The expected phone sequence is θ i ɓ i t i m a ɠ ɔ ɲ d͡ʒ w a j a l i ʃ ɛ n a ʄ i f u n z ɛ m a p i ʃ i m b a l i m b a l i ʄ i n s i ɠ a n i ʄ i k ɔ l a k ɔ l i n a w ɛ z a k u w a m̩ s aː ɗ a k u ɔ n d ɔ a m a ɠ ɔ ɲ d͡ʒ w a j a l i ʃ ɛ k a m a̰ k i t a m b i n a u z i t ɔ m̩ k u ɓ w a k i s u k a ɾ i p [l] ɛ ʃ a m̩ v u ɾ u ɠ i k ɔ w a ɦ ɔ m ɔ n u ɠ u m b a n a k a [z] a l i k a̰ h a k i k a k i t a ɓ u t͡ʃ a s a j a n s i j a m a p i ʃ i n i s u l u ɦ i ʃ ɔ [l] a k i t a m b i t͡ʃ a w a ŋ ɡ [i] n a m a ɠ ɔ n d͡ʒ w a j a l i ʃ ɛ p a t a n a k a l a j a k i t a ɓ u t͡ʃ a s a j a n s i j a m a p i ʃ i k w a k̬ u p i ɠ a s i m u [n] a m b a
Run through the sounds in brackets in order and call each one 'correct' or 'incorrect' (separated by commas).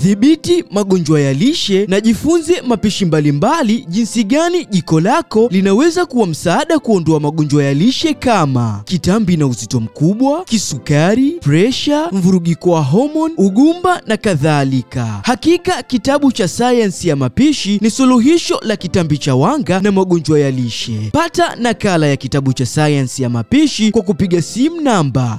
incorrect, incorrect, correct, incorrect, correct